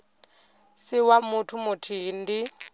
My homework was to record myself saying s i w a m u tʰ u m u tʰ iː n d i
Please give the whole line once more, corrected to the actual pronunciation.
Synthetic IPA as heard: s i w a m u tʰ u m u tʰ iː n d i